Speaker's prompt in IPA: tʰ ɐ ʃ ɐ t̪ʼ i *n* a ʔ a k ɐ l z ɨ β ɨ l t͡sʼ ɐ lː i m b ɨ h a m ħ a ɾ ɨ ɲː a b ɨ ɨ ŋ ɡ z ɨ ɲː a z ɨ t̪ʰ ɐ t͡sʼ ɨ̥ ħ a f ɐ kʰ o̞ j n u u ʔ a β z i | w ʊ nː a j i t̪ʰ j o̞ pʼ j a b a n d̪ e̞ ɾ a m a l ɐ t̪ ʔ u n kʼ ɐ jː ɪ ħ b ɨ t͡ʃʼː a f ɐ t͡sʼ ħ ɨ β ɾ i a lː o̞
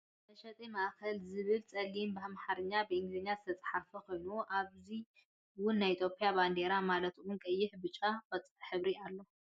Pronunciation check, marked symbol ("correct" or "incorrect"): incorrect